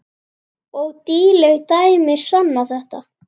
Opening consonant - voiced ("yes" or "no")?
yes